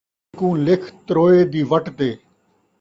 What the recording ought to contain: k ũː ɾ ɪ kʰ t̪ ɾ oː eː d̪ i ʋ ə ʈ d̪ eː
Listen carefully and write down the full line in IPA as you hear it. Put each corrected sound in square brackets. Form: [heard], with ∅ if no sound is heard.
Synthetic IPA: k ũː [l] ɪ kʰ t̪ ɾ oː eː d̪ [iː] ʋ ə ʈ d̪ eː